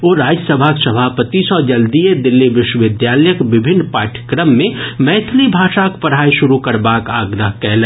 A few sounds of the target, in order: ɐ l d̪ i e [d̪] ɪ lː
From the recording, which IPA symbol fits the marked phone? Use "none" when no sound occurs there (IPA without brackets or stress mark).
d̪